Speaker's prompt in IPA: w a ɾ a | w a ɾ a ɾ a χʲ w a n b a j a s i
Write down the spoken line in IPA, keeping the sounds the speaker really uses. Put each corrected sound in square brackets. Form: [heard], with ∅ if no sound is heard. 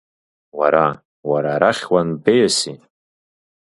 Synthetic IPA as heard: w a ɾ a | w a ɾ a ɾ a χʲ w a n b [e] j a s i